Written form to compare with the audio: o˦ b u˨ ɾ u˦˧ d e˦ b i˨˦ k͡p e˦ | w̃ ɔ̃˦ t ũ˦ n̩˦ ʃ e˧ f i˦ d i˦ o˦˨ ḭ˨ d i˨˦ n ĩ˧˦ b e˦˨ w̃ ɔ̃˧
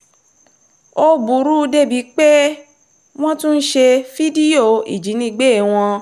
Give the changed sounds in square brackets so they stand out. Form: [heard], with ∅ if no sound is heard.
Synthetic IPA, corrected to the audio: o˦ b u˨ ɾ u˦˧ d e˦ b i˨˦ k͡p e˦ | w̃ ɔ̃˦ t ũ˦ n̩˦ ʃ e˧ f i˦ d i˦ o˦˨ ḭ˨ [d͡ʒ] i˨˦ n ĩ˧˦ [ɡ͡b] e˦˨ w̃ ɔ̃˧